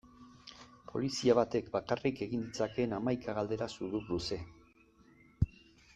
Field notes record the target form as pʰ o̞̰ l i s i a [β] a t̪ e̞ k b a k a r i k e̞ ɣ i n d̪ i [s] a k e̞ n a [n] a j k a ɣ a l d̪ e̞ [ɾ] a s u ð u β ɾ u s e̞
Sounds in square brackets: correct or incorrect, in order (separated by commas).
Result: correct, incorrect, incorrect, correct